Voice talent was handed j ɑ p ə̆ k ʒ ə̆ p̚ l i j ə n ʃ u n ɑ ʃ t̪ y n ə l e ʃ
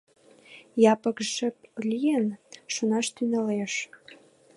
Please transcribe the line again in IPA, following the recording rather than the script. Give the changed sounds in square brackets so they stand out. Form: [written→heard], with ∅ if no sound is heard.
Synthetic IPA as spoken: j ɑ p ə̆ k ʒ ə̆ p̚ l i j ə n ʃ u n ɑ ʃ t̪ y n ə l e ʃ

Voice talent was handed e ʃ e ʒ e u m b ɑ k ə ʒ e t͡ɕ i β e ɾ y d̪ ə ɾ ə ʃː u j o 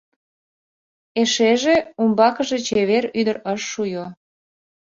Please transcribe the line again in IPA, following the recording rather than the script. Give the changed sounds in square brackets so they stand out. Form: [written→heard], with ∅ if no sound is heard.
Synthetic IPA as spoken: e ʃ e ʒ e u m b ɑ k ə ʒ e t͡ɕ [i→e] β e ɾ y d̪ ə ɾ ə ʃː u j o

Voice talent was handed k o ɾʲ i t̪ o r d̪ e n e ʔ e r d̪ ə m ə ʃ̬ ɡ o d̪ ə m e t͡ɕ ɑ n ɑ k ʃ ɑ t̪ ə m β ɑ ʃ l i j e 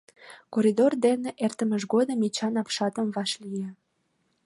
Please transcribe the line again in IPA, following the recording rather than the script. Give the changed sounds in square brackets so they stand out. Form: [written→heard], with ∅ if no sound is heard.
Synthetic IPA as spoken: k o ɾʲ i [t̪→d̪] o r d̪ e n e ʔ e r [d̪→t̪] ə m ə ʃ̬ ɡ o d̪ ə m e t͡ɕ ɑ n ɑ [k→p] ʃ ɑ t̪ ə m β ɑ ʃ l i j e

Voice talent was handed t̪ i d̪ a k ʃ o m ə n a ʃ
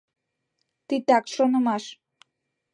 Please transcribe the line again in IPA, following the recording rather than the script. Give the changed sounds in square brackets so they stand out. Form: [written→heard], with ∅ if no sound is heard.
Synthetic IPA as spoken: t̪ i [d̪→t̪] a k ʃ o [m→n] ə [n→m] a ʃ

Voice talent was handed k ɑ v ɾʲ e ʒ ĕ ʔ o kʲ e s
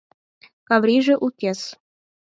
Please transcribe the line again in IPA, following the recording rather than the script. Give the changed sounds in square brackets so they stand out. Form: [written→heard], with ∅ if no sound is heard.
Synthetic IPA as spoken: k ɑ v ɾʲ [e→i] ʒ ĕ ʔ [o→u] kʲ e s

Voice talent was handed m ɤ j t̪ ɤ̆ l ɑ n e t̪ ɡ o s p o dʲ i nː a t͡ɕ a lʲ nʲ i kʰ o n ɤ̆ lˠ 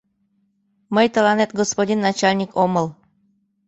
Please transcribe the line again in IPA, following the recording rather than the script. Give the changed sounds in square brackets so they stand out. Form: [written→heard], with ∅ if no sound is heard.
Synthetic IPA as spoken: m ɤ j t̪ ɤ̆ l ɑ n e t̪ ɡ o s p o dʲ i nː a t͡ɕ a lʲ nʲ i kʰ o [n→m] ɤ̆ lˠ

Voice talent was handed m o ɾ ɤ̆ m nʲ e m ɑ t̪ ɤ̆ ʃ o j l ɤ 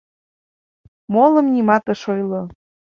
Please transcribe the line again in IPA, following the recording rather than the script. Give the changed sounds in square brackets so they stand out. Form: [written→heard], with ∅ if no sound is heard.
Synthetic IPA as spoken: m o [ɾ→l] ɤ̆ m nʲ [e→i] m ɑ t̪ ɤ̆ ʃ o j l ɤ

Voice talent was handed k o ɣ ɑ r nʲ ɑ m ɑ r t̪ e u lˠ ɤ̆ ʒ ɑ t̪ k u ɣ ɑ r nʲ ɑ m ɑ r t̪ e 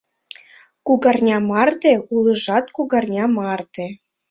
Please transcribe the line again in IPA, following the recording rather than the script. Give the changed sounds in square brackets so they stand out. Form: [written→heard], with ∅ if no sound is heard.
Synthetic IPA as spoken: k [o→u] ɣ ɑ r nʲ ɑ m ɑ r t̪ e u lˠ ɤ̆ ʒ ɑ t̪ k u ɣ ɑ r nʲ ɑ m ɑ r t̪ e

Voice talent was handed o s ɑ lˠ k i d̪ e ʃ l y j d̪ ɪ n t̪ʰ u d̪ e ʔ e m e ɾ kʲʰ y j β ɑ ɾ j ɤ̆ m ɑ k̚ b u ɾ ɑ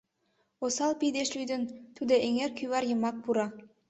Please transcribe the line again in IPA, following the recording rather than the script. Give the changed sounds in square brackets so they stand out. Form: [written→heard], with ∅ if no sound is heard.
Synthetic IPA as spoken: o s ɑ lˠ [k→p] i d̪ e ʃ l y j d̪ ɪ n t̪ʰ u d̪ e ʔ e [m→ŋ] e ɾ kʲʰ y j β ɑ ɾ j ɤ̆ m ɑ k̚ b u ɾ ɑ

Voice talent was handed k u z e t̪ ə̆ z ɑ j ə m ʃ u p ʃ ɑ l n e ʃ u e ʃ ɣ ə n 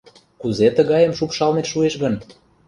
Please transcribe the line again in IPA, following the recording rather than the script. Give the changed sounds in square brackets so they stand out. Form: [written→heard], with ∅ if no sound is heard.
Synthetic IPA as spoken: k u z e t̪ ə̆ [z→ɣ] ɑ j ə m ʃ u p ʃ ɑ l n e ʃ u e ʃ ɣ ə n

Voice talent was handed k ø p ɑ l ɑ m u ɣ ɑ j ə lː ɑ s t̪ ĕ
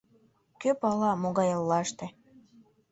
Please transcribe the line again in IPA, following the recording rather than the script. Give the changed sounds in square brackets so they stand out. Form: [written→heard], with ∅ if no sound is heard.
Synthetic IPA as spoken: k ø p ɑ l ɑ m [u→o] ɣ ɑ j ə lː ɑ [s→ʃ] t̪ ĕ

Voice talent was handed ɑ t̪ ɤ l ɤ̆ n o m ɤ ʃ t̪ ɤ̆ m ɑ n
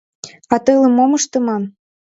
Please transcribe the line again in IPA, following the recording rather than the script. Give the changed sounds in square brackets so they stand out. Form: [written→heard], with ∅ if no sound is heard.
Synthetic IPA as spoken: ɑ t̪ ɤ l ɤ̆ [n→m] o m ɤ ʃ t̪ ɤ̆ m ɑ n

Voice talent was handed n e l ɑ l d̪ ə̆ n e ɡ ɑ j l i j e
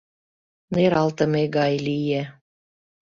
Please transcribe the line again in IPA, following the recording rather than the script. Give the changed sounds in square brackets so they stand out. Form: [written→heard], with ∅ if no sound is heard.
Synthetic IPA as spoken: n e [l→ɾ] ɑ l [d̪→t̪] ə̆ [n→m] e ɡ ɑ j l i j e

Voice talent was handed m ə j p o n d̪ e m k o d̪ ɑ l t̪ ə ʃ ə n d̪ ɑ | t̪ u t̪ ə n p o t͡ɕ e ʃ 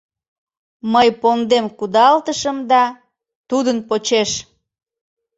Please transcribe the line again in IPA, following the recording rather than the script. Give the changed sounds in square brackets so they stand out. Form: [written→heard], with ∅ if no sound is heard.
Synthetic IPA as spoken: m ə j p o n d̪ e m k [o→u] d̪ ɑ l t̪ ə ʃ ə [n→m] d̪ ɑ | t̪ u [t̪→d̪] ə n p o t͡ɕ e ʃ

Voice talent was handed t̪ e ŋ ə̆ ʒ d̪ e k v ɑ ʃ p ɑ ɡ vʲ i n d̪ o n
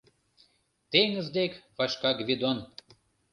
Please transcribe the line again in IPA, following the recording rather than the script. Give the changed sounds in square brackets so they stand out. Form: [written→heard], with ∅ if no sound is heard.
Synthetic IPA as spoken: t̪ e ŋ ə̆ [ʒ→z] d̪ e k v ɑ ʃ [p→k] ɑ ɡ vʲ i [n→∅] d̪ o n

